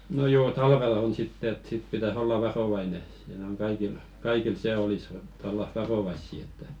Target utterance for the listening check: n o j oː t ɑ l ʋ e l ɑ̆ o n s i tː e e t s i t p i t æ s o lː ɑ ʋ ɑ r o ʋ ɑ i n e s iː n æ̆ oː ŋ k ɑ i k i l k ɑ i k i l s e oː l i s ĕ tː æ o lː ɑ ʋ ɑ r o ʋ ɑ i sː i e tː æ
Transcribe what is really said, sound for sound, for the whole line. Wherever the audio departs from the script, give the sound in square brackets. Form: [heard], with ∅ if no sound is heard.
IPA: n o j oː t ɑ l ʋ e l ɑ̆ o n s i tː e e t s i t p i t æ s o lː ɑ ʋ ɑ r o ʋ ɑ i n e s iː n æ̆ [o] ŋ k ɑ i k i l k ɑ i k i l s e [o] l i s ĕ tː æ o lː ɑ ʋ ɑ r o ʋ ɑ i sː i e tː æ